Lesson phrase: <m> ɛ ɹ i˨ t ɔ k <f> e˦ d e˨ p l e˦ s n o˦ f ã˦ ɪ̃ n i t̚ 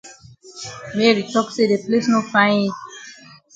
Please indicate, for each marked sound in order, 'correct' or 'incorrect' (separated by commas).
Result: correct, incorrect